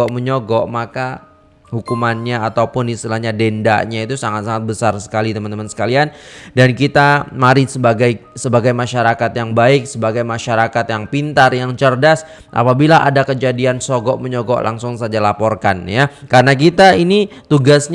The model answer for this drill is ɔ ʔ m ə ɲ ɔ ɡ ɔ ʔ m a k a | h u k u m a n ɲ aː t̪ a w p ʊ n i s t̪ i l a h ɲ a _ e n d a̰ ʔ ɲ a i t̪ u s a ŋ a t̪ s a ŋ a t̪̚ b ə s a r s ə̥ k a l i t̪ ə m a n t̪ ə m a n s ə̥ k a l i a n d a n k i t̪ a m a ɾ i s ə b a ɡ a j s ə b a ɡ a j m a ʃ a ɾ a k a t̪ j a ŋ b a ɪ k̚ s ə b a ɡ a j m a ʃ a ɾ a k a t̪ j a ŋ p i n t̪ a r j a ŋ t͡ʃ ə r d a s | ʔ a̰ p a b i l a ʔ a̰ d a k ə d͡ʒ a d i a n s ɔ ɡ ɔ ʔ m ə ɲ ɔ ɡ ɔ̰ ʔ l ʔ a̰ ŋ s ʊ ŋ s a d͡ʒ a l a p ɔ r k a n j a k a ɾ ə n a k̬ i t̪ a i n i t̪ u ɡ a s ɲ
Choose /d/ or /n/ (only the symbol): d